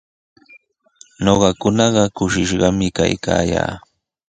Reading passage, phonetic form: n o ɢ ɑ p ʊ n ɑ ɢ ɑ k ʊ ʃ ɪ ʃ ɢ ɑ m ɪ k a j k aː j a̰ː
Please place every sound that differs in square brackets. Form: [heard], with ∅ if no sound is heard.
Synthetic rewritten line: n o ɢ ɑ [k] ʊ n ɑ ɢ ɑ k ʊ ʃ ɪ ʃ ɢ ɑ m ɪ k a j k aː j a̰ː